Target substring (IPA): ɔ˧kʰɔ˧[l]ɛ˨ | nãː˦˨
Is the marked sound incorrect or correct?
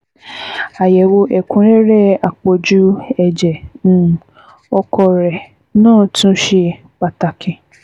incorrect